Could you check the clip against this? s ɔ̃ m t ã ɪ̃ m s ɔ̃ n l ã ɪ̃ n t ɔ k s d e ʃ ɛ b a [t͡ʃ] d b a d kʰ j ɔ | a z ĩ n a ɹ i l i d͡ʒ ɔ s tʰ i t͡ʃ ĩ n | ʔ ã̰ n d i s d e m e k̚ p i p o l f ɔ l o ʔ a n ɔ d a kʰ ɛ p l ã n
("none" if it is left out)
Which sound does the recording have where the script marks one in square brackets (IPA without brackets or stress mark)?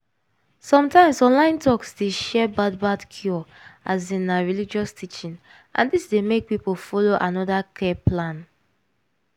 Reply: none